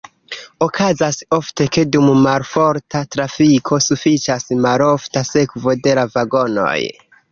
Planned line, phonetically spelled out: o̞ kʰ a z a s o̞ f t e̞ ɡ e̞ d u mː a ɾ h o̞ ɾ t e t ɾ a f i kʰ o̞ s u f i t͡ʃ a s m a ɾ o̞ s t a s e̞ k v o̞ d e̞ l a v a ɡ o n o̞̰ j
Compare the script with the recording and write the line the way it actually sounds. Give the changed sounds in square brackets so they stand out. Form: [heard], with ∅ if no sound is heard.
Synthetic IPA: o̞ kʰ a z a s o̞ f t e̞ [k] e̞ d u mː a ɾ [f] o̞ ɾ t [a] t ɾ a f i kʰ o̞ s u f i t͡ʃ a s m a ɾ o̞ [f] t a s e̞ k v o̞ d e̞ l a v a ɡ o n o̞̰ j